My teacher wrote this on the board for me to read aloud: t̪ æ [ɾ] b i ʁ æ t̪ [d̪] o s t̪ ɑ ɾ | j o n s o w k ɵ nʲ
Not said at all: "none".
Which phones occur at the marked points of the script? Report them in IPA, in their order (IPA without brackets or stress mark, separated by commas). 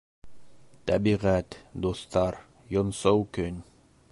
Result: none, d̪